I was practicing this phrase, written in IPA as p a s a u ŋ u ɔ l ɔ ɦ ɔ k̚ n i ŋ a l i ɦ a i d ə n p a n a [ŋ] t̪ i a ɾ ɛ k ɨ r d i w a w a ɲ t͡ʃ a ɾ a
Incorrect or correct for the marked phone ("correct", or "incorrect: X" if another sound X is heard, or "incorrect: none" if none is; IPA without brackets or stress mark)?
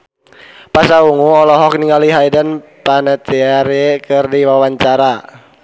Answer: incorrect: none